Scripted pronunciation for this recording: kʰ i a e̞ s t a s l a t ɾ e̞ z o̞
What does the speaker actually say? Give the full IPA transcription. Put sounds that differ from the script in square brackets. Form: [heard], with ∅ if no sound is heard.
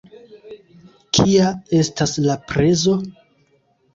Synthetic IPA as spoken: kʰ i a e̞ s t a s l a [p] ɾ e̞ z o̞